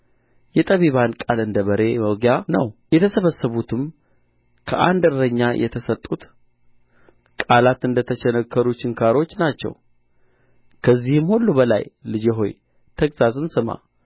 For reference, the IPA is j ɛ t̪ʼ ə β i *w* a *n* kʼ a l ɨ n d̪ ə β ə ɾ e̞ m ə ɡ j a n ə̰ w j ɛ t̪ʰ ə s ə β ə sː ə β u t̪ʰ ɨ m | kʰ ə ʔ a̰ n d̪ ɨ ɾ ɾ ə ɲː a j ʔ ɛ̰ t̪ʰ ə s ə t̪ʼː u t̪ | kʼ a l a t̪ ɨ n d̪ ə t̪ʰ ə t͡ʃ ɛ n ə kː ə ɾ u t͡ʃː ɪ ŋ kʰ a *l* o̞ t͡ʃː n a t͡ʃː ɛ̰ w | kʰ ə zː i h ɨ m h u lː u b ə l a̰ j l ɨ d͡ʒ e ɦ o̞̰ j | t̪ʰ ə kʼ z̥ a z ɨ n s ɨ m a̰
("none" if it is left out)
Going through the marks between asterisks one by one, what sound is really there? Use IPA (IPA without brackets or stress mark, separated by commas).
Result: β, n, ɾ